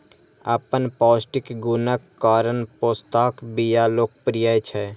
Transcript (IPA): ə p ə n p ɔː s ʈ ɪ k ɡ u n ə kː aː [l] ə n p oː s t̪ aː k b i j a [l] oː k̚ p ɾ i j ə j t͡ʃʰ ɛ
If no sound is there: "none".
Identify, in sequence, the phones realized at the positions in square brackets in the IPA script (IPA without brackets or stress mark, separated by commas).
ɾ, l